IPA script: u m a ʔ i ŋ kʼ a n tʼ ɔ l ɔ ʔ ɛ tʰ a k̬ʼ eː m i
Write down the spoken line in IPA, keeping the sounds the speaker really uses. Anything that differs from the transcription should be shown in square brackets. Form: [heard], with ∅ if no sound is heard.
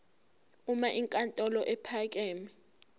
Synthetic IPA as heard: u m a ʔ i ŋ kʼ a n tʼ ɔ l ɔ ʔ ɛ [pʰ] a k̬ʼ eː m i